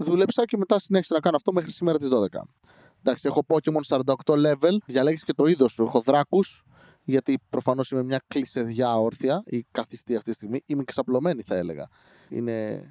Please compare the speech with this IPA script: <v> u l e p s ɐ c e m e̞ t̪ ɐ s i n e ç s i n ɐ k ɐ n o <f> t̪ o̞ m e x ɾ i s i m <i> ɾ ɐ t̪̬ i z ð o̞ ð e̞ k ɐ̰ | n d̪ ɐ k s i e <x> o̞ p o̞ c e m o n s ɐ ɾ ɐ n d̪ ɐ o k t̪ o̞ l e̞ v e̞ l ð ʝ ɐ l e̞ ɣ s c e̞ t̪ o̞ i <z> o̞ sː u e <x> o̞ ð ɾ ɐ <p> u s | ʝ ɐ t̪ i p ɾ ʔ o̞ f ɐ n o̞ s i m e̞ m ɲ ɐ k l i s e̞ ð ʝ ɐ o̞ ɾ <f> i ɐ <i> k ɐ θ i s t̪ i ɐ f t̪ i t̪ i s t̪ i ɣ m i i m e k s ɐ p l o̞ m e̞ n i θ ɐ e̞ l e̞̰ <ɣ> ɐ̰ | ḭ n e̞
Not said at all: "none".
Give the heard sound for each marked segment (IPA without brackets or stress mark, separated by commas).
ð, f, e, x, ð, x, k, θ, i, ɣ